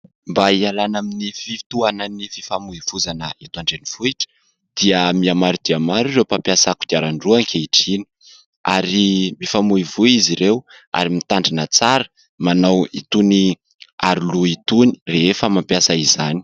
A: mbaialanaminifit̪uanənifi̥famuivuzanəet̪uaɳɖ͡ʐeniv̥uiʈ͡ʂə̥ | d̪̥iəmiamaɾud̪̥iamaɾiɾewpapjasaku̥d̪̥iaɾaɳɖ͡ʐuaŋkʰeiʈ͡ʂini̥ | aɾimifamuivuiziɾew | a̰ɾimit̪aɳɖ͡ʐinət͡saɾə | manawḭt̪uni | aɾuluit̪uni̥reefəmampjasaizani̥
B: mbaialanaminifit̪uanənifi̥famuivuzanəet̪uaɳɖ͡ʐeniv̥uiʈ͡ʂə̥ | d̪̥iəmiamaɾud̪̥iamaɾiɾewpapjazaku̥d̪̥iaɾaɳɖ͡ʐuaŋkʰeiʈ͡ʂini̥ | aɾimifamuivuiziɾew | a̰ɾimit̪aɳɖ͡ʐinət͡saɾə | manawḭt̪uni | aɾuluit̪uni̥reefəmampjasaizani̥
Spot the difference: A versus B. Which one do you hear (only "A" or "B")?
A